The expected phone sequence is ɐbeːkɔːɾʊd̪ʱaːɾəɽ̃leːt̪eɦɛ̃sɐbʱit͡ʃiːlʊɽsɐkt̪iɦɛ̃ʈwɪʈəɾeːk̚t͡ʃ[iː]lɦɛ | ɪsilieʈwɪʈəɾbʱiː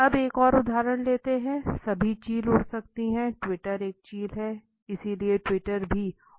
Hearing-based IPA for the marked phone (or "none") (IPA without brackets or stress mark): iː